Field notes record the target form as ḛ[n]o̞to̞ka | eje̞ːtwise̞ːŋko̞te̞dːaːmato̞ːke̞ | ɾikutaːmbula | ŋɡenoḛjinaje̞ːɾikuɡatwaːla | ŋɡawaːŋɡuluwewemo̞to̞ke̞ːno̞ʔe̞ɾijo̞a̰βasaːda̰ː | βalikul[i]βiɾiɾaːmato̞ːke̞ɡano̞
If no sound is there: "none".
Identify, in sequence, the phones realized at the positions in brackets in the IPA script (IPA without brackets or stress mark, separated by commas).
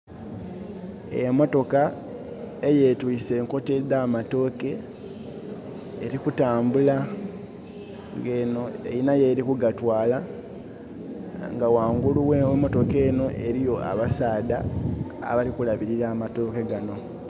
m, a